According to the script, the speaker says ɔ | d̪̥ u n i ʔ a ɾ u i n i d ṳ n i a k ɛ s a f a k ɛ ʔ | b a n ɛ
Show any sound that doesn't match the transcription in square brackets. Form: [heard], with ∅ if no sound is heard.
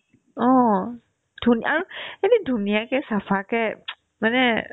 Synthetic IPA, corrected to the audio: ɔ | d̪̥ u n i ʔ a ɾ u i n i d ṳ n i a k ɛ s a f a k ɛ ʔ | [m] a n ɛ